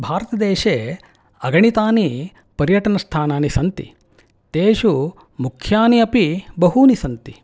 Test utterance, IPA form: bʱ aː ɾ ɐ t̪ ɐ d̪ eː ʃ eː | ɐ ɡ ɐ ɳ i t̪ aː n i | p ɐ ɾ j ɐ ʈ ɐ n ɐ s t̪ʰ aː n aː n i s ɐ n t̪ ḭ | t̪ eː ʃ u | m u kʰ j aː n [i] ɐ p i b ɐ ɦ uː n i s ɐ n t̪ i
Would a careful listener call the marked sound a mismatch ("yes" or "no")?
no